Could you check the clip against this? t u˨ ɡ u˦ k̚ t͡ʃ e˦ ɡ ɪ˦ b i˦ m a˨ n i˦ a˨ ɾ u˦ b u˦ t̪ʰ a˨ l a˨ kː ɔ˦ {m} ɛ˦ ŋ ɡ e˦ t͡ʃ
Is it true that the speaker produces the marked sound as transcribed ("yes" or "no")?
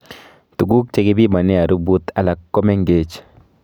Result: yes